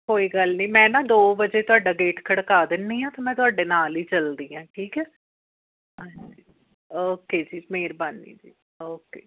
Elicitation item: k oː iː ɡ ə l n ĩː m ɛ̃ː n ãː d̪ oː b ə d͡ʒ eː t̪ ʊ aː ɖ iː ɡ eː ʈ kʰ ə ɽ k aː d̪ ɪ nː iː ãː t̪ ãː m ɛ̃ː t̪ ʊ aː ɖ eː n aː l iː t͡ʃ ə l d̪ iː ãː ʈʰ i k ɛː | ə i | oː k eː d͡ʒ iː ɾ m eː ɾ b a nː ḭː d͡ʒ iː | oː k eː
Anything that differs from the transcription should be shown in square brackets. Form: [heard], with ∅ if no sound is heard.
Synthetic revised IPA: k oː iː ɡ ə l n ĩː m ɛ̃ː n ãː d̪ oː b ə d͡ʒ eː t̪ ʊ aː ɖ [aː] ɡ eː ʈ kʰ ə ɽ k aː d̪ ɪ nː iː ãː t̪ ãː m ɛ̃ː t̪ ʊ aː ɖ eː n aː l iː t͡ʃ ə l d̪ iː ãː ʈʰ [iː] k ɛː | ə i | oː k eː d͡ʒ iː [∅] m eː ɾ b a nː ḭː d͡ʒ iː | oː k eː